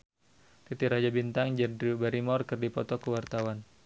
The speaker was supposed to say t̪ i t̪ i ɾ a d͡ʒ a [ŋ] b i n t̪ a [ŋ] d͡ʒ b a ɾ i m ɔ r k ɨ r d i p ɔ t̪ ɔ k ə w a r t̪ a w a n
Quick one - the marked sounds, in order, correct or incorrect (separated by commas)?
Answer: incorrect, correct